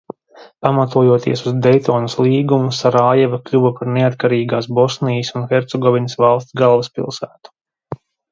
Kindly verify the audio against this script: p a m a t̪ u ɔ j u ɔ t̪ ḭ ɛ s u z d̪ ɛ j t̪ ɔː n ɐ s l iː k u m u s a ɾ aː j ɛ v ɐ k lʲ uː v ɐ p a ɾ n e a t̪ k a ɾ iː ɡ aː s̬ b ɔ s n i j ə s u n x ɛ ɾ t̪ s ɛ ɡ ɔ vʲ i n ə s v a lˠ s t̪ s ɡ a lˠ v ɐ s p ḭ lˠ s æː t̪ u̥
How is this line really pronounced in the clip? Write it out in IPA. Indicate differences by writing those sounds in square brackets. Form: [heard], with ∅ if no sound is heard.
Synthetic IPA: p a m a t̪ u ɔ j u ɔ t̪ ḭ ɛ s u z d̪ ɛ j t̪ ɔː n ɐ s l iː [ɡ] u m u s a ɾ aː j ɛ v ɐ k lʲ [u] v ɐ p a ɾ n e a t̪ k a ɾ iː ɡ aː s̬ b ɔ s n i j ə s u n x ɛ ɾ t̪ s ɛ ɡ ɔ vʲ i n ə s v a lˠ s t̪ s ɡ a lˠ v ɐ s p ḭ lˠ s æː t̪ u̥